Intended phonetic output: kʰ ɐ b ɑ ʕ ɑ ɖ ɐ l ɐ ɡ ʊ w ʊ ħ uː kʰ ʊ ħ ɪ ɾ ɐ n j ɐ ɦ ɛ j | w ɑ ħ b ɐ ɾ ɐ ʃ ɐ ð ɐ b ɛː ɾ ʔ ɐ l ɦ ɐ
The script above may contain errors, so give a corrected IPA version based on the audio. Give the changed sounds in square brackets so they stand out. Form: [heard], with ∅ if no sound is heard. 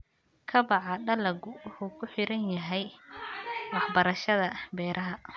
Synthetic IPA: kʰ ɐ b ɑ ʕ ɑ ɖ ɐ l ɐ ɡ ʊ w ʊ ħ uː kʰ ʊ ħ ɪ ɾ ɐ n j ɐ ɦ ɛ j | w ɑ ħ b ɐ ɾ ɐ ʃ ɐ ð ɐ b ɛː ɾ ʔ ɐ [∅] ɦ ɐ